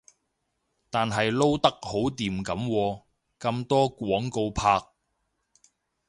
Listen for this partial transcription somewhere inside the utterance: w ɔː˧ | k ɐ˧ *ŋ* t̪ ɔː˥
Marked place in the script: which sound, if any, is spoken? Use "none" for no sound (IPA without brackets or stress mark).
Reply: m